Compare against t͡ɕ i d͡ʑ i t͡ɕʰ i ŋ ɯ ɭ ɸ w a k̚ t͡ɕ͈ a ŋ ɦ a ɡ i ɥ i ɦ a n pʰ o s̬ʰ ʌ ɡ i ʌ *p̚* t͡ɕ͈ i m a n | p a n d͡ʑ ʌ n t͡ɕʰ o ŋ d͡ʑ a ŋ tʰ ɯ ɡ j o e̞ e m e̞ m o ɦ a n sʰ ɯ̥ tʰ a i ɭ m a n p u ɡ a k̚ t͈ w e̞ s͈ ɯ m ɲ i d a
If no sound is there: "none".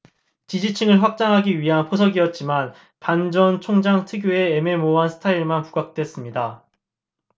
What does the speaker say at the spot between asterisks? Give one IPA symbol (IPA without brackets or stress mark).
t̚